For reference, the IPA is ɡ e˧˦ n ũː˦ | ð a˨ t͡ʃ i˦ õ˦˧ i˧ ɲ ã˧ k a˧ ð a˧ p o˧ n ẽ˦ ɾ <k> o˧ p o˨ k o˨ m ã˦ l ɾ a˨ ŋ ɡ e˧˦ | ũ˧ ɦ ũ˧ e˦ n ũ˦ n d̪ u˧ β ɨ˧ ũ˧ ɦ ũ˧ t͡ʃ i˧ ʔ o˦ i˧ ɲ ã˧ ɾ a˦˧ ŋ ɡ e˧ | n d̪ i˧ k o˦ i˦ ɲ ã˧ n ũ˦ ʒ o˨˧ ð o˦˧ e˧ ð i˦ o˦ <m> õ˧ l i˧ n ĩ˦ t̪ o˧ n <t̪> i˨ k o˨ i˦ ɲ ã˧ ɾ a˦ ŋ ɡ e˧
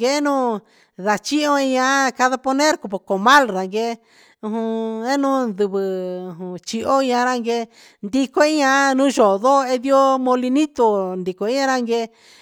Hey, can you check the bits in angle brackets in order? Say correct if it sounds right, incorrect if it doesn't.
correct, correct, incorrect

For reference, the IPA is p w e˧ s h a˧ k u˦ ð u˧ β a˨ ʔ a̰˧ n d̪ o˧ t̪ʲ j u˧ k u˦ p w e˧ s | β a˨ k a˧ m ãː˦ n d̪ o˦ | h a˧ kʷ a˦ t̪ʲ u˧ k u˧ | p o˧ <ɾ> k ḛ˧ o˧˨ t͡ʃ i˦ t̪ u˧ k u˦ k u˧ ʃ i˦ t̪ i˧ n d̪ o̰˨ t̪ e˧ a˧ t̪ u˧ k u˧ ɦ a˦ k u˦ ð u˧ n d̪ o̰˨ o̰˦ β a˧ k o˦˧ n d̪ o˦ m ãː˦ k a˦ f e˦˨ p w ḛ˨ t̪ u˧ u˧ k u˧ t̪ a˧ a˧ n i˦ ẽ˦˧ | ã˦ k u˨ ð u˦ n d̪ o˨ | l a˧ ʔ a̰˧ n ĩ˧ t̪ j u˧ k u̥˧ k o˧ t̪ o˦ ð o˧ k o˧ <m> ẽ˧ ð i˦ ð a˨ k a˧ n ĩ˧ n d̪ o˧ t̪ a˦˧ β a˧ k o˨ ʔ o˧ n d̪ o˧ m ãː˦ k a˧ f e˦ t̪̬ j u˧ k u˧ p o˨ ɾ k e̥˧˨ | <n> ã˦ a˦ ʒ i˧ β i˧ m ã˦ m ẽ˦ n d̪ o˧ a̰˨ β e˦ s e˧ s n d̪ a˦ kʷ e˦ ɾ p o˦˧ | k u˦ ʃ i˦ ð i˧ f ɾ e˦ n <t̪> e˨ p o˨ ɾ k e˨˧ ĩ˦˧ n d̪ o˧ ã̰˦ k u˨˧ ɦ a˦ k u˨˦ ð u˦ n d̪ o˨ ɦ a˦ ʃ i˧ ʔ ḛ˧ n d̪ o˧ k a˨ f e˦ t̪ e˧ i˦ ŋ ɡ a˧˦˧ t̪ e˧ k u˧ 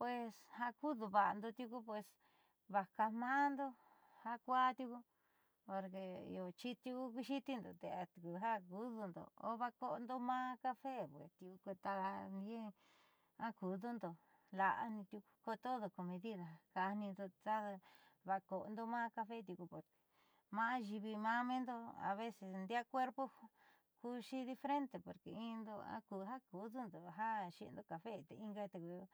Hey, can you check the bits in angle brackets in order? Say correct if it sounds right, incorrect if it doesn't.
correct, correct, incorrect, correct

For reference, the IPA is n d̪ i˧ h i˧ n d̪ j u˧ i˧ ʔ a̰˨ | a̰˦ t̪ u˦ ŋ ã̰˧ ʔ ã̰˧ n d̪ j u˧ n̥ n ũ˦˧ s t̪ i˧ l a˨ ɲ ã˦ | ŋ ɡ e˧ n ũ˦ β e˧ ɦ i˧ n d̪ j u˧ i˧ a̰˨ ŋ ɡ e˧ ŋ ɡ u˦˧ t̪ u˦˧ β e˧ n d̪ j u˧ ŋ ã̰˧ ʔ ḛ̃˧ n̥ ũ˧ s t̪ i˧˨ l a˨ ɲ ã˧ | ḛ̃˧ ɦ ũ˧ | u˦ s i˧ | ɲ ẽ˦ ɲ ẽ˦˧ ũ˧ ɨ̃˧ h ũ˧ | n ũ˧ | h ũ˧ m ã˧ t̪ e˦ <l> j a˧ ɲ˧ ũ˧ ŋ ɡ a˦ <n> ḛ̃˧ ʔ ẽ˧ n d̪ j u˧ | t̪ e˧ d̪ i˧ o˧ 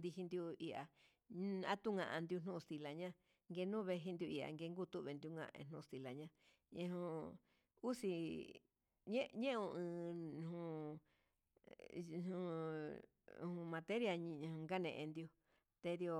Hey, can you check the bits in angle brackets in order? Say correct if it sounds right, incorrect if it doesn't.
incorrect, correct

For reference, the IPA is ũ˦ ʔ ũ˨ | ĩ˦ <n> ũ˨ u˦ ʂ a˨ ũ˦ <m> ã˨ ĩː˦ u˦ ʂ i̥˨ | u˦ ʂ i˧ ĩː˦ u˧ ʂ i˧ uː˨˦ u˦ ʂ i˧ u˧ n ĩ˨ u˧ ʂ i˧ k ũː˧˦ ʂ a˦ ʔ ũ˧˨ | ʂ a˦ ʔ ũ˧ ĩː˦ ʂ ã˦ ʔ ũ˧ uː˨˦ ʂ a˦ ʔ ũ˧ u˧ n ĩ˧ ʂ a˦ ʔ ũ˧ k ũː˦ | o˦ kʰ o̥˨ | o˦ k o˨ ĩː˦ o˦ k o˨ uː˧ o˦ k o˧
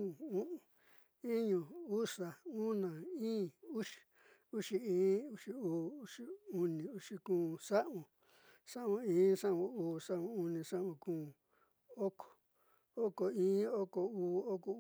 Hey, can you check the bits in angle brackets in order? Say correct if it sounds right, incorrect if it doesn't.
incorrect, incorrect

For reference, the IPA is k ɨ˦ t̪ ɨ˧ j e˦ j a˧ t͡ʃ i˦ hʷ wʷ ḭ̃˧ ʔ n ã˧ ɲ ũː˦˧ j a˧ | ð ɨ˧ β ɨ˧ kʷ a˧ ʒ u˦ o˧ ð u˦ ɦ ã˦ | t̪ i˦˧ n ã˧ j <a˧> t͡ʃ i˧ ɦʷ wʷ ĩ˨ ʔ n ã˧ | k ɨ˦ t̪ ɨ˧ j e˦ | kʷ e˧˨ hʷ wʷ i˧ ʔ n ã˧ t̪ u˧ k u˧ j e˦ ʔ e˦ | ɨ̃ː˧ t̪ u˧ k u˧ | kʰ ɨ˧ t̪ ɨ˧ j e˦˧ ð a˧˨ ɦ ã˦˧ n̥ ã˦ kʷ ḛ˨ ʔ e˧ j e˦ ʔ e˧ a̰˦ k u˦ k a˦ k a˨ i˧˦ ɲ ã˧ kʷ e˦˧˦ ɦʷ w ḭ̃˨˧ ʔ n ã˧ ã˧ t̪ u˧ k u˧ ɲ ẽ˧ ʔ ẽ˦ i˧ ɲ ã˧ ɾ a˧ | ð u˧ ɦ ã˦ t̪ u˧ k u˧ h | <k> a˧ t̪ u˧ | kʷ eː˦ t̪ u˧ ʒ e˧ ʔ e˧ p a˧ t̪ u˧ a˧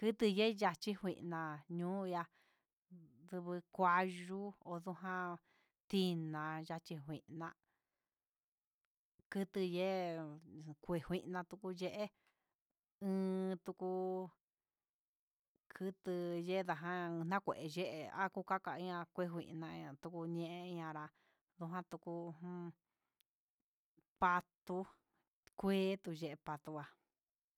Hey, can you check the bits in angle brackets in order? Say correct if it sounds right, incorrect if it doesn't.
correct, incorrect

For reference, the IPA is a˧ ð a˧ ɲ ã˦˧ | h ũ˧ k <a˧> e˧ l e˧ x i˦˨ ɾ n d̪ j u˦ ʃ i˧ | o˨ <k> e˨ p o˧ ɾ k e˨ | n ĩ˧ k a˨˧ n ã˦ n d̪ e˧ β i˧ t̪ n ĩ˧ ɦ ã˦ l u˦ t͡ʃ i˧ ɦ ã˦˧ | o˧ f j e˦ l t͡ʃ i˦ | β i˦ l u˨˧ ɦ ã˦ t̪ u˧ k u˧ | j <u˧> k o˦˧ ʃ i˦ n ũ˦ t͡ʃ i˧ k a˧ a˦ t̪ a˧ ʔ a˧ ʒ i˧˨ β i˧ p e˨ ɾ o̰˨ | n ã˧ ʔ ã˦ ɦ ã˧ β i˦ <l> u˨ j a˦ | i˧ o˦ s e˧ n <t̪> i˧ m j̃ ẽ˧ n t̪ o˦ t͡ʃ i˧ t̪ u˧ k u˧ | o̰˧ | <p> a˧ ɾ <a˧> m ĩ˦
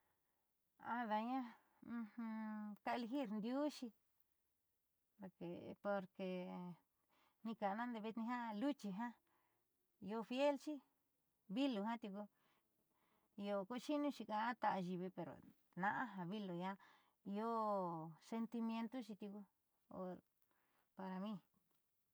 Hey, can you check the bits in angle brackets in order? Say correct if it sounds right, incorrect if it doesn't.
correct, correct, incorrect, correct, correct, correct, correct

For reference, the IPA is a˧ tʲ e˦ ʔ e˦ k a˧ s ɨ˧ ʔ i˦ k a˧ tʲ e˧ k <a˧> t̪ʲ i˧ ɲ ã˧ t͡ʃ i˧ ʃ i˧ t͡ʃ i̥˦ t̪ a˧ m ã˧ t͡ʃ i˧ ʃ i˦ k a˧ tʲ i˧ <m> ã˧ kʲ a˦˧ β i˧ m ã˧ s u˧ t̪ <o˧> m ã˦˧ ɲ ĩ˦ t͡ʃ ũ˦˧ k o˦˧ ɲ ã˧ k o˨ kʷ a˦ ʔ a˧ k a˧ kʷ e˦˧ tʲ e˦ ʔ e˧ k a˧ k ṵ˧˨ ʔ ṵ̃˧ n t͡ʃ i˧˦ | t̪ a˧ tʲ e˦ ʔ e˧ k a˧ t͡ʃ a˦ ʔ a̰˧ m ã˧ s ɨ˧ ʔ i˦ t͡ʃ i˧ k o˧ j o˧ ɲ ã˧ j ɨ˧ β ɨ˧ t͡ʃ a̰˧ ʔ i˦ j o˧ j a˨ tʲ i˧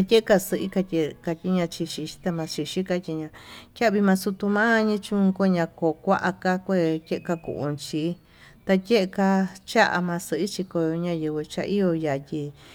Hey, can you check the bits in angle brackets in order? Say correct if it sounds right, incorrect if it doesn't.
correct, incorrect, incorrect

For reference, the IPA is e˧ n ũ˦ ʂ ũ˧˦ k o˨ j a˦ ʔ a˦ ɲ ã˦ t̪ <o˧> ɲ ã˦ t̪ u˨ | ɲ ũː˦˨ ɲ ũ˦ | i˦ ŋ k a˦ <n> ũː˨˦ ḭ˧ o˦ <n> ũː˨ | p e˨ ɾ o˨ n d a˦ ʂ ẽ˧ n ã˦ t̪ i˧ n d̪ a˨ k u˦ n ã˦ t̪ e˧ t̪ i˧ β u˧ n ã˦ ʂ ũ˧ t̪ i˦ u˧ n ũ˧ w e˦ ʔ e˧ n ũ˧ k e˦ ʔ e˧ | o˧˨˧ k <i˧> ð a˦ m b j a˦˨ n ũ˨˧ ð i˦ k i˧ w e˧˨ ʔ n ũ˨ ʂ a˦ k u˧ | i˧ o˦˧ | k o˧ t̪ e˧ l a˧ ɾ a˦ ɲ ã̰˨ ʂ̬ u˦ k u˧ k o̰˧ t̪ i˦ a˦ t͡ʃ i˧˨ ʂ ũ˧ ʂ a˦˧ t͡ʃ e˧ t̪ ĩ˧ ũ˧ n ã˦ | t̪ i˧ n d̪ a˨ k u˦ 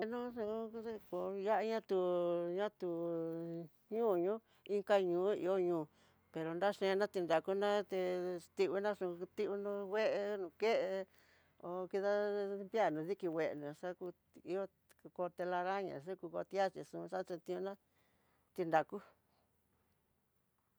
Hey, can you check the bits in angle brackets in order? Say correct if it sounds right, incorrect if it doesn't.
incorrect, incorrect, incorrect, correct

